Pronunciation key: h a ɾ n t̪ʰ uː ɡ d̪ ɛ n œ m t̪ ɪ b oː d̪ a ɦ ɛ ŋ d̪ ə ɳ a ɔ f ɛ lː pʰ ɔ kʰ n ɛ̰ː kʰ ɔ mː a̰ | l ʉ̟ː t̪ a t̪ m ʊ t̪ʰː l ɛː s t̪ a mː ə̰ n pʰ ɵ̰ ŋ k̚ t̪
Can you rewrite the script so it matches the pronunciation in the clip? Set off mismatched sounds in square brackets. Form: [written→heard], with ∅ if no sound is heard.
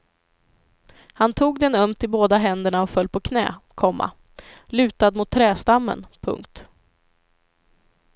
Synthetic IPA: h a [ɾ→∅] n t̪ʰ uː ɡ d̪ ɛ n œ m t̪ ɪ b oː d̪ a ɦ ɛ [ŋ→n] d̪ ə ɳ a ɔ f [ɛ→œ] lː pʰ ɔ kʰ n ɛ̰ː kʰ ɔ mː a̰ | l ʉ̟ː t̪ a [t̪→d̪] m ʊ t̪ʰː [l→ɾ] ɛː s t̪ a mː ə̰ n pʰ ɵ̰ ŋ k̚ t̪